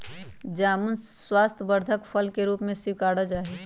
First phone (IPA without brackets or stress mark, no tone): d͡ʒ